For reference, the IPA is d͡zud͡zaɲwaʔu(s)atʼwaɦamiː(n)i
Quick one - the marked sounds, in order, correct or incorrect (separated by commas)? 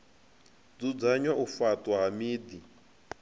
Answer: incorrect, incorrect